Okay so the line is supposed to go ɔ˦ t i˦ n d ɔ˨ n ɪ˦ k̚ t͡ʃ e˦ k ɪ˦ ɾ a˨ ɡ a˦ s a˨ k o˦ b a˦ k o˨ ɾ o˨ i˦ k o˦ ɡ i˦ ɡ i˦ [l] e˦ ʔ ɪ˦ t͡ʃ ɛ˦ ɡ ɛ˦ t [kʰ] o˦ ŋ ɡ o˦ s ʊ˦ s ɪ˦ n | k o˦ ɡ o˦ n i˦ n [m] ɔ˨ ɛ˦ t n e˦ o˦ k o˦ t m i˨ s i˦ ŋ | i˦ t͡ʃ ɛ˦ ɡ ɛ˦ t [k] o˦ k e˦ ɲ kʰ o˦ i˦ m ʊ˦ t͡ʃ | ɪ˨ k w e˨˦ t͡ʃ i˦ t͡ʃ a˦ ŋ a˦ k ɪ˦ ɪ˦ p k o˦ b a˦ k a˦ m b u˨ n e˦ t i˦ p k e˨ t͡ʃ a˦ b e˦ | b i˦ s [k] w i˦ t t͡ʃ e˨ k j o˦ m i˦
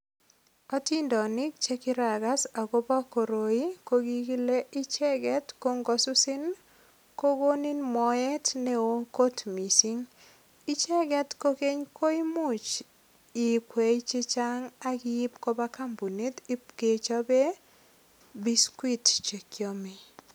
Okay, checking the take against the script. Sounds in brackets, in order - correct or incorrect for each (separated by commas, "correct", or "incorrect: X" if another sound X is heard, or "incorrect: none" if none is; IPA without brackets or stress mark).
correct, incorrect: k, correct, correct, correct